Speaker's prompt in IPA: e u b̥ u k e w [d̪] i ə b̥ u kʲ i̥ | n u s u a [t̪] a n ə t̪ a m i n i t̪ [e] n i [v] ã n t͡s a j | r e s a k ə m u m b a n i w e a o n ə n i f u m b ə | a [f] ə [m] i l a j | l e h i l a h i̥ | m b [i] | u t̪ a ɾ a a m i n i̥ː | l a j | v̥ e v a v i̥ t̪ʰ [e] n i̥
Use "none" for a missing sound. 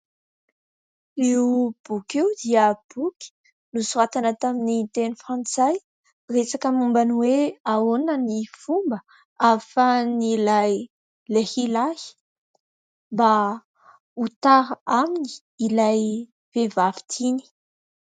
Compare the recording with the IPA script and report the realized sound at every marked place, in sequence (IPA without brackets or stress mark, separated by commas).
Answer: d̪, t̪, e, f, f, n, a, i